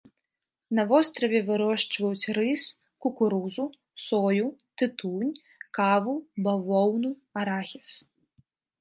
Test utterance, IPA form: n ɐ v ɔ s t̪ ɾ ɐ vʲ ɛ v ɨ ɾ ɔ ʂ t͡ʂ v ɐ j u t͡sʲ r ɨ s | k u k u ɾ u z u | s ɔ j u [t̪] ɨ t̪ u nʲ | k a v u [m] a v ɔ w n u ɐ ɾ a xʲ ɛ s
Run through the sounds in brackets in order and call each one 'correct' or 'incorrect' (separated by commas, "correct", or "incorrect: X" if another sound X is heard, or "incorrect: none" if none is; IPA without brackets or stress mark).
correct, incorrect: b